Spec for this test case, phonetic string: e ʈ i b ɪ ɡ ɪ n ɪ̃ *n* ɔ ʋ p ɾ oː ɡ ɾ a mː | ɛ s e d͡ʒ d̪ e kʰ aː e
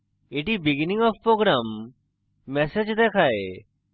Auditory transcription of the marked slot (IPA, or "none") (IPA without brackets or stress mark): ŋ